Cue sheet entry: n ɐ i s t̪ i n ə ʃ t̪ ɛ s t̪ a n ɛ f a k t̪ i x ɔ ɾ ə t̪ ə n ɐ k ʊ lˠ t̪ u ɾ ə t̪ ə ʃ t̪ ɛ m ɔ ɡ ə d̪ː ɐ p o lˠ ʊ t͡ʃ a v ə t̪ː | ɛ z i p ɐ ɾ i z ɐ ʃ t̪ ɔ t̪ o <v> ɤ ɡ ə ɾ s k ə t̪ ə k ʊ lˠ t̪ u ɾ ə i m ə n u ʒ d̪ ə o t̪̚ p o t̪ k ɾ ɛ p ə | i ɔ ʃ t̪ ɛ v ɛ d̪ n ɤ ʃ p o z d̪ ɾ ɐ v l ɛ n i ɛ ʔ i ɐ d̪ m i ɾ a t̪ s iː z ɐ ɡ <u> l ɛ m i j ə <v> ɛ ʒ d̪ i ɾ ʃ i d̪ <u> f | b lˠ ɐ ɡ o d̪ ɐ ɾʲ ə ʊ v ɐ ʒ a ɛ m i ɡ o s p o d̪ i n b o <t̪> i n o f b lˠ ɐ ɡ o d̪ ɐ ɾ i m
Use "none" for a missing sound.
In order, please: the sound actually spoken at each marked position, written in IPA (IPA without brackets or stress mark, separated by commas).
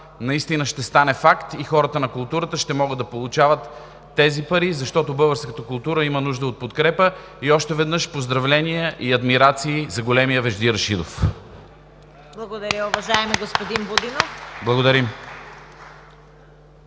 b, o, v, o, d̪